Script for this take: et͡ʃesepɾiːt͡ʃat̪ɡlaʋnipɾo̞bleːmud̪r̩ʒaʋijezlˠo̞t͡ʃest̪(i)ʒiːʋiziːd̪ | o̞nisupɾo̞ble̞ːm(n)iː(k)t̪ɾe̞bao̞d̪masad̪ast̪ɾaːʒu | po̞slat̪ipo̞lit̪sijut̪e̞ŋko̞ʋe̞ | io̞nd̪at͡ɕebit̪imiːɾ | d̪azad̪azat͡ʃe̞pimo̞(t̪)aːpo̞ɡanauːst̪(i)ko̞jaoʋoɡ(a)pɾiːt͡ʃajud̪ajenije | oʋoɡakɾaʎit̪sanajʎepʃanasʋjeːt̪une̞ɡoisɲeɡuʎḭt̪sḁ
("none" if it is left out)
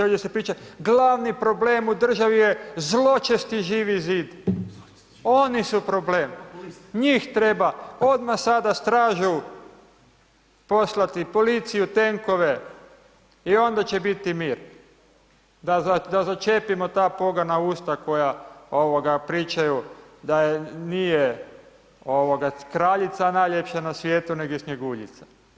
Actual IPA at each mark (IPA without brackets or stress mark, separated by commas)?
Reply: i, ɲ, x, t̪, a, a